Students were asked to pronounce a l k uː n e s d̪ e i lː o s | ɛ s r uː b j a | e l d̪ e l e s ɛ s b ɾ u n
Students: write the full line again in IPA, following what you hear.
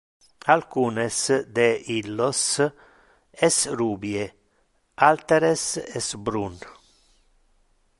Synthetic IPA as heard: a l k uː n e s d̪ e i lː o s | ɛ s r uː b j e | a l t̪ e ɾ e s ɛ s b ɾ u n